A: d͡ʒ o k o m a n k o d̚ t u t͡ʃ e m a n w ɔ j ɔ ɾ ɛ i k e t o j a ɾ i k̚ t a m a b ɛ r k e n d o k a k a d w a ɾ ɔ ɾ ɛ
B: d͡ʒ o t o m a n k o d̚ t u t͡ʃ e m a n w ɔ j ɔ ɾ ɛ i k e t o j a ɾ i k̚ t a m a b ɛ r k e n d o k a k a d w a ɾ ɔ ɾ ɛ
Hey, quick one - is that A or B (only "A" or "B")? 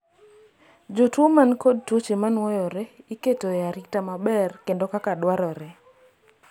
B